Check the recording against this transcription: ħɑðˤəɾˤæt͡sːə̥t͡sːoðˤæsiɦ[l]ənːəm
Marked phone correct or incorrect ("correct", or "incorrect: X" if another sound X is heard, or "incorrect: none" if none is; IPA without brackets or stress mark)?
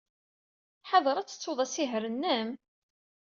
incorrect: ɾ